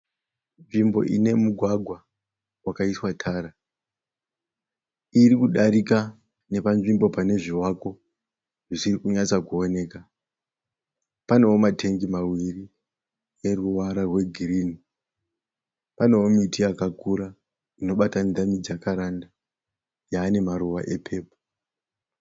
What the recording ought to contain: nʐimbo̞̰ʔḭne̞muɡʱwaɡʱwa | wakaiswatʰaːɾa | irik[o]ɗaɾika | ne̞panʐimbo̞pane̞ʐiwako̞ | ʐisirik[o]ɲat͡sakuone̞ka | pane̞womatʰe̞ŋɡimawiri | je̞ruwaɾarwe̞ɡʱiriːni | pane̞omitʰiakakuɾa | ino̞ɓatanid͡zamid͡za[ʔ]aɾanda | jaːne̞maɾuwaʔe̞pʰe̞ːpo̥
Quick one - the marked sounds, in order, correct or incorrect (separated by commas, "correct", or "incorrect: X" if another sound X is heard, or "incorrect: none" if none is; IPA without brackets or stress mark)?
incorrect: u, incorrect: u, incorrect: k